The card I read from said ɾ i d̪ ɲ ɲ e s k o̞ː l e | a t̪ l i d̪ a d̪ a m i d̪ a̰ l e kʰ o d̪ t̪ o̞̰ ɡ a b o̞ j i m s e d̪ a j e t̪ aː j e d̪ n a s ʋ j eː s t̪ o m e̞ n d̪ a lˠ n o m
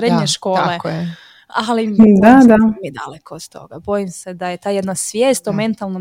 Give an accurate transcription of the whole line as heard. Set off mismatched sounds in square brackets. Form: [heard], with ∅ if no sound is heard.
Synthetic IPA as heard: ɾ [e] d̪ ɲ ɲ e [ʃ] k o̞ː l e | a [∅] l i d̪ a d̪ a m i d̪ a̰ l e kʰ o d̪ t̪ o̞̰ ɡ a b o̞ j i m s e d̪ a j e t̪ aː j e d̪ n a s ʋ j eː s t̪ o m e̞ n [t̪] a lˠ n o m